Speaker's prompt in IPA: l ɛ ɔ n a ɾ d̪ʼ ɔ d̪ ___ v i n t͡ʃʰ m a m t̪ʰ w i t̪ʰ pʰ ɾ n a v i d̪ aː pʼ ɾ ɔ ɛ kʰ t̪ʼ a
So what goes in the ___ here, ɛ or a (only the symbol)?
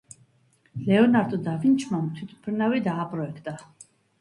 a